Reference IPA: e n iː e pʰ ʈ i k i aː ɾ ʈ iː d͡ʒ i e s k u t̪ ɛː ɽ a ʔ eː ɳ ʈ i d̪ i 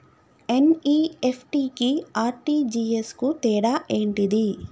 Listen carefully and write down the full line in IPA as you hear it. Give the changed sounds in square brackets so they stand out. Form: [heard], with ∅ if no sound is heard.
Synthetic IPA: e n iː e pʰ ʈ i k i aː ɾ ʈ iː d͡ʒ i e s k u t̪ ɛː ɽ a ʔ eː ɳ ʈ i d̪ i